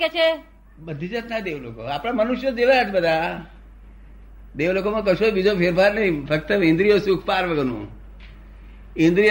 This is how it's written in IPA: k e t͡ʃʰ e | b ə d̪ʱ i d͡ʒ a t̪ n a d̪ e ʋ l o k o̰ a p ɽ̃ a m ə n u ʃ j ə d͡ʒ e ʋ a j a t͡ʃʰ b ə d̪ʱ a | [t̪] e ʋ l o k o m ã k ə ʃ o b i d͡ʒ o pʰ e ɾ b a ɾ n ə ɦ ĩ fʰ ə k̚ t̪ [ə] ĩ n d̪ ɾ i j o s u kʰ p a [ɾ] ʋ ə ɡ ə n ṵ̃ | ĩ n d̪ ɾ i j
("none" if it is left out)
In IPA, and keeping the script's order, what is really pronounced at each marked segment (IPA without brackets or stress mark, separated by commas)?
d̪, ə, ɾ